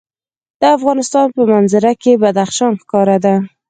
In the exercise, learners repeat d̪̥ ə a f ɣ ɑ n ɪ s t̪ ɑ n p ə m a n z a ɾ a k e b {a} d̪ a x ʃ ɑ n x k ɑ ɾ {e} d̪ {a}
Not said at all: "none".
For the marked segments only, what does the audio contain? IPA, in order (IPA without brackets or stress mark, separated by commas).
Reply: a, a, a